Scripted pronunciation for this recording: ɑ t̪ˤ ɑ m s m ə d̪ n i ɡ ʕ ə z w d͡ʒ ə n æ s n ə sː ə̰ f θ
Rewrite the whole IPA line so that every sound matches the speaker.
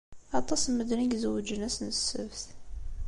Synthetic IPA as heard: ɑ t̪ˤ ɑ s m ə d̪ n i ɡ z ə w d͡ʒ ə n æ s n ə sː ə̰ v θ